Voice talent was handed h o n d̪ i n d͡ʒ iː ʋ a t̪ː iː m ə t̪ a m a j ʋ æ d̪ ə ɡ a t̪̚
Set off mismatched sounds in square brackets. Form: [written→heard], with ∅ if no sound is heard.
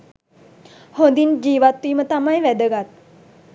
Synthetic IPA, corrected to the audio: h o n d̪ i n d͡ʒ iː ʋ a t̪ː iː m ə t̪ a m a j ʋ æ d̪ ə ɡ a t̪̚